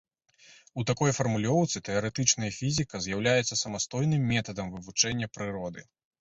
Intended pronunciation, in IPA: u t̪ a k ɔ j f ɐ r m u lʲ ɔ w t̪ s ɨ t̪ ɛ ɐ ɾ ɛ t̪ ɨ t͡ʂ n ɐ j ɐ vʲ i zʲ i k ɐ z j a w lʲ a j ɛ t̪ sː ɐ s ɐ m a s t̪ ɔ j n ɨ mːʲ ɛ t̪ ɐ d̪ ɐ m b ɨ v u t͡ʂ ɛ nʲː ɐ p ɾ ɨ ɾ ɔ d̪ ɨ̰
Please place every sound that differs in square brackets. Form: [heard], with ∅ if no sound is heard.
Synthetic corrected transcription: u t̪ a k ɔ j f ɐ r m u lʲ ɔ w t̪ s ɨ t̪ ɛ ɐ ɾ ɛ t̪ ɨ t͡ʂ n ɐ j ɐ [fʲ] i zʲ i k ɐ z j a w lʲ a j ɛ t̪ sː ɐ s ɐ m a s t̪ ɔ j n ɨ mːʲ ɛ t̪ ɐ d̪ ɐ m [v] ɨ v u t͡ʂ ɛ nʲː ɐ p ɾ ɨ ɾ ɔ d̪ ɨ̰